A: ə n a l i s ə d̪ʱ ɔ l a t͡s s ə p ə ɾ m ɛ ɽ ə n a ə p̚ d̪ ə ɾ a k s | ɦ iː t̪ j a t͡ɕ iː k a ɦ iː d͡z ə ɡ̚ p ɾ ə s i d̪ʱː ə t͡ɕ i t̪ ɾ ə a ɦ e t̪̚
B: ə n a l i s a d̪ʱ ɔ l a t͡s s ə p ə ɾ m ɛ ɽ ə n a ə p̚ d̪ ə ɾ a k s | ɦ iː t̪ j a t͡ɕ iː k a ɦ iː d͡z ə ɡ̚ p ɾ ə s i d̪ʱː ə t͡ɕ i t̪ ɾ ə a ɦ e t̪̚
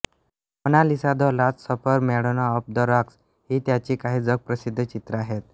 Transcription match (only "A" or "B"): B